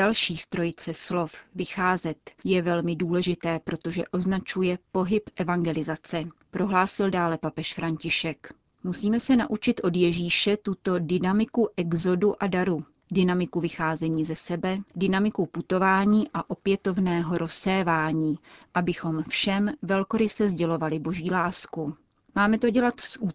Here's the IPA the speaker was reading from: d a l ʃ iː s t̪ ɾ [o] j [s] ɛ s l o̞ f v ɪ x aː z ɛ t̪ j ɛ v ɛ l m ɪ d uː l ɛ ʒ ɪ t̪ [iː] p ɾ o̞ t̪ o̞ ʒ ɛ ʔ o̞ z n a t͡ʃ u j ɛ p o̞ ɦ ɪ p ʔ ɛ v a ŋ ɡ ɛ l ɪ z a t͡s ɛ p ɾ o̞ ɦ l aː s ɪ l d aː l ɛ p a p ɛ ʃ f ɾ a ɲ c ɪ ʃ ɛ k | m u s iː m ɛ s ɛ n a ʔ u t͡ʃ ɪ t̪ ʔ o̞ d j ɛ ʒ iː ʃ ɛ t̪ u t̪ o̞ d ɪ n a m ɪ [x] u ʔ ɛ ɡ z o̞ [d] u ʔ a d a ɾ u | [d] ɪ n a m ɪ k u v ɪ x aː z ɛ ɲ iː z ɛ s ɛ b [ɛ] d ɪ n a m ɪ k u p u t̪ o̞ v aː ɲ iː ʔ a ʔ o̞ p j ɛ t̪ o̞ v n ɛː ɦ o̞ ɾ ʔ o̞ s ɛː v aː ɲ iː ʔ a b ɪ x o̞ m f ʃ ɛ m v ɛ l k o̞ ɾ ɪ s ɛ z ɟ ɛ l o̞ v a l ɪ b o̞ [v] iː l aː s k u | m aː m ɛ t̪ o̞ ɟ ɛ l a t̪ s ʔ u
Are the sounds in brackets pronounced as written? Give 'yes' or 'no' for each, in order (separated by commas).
yes, no, no, no, yes, yes, yes, no